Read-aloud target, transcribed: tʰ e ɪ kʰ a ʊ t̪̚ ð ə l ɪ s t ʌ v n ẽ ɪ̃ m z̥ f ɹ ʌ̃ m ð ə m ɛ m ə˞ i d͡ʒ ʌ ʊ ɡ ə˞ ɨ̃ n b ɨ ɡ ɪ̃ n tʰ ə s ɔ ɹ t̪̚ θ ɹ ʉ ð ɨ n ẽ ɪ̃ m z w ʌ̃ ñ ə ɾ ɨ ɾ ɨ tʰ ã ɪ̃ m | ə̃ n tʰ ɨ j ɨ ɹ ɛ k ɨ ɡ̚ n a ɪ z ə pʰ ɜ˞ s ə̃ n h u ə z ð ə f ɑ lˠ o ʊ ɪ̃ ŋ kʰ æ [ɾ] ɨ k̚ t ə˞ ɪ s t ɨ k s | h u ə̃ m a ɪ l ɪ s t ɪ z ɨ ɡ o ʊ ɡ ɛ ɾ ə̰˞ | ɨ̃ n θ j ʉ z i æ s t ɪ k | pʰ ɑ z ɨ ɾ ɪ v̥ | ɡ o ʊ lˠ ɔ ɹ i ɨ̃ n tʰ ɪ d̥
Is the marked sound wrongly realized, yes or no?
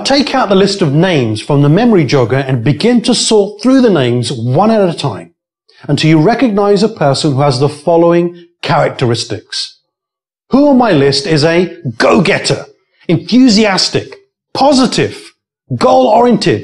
yes